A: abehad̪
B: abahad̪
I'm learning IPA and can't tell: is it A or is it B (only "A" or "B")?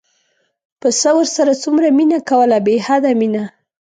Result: A